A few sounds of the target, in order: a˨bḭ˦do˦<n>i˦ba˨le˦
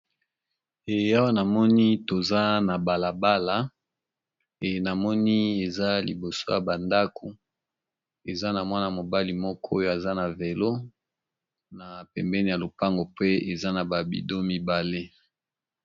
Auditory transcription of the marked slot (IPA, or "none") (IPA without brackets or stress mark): m